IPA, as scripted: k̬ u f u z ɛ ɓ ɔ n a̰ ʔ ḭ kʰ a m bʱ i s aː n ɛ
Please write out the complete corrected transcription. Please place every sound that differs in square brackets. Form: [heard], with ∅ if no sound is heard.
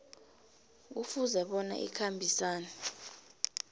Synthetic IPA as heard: k̬ u f u z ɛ ɓ ɔ n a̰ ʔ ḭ kʰ a m bʱ i s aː n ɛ